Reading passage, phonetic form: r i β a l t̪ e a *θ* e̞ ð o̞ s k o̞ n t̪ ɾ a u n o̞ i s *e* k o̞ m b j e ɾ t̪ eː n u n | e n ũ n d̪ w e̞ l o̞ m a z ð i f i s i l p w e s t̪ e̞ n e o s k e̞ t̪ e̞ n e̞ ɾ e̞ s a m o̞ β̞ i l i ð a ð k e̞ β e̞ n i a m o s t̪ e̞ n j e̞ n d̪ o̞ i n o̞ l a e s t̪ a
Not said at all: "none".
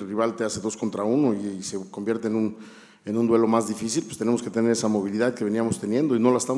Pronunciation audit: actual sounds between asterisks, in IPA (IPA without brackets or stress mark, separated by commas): s, e